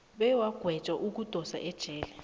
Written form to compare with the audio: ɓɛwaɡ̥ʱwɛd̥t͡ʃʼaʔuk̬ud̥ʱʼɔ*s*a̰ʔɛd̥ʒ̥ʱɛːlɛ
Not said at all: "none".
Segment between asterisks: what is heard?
s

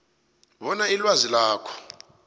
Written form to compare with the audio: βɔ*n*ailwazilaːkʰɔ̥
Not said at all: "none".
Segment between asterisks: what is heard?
n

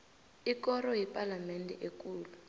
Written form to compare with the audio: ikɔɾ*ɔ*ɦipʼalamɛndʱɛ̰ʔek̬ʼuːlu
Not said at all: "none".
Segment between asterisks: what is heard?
ɔ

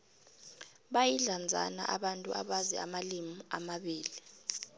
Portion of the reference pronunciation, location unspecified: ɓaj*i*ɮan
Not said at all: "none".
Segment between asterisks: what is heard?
i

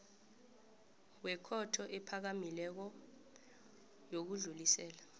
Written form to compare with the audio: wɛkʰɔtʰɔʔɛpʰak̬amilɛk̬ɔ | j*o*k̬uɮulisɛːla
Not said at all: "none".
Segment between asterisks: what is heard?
o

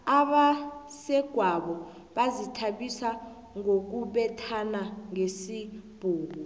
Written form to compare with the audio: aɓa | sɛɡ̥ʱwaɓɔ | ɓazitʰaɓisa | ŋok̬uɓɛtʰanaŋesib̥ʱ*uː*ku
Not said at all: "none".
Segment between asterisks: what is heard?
uː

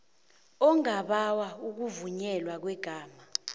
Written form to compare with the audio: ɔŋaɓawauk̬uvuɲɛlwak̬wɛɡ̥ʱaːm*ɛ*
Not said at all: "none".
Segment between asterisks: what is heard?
a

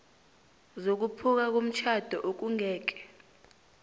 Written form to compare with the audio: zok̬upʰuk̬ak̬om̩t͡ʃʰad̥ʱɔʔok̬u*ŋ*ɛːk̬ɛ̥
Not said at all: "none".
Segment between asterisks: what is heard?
ŋ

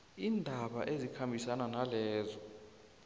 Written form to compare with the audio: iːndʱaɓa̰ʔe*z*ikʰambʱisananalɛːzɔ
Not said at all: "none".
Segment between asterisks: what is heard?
z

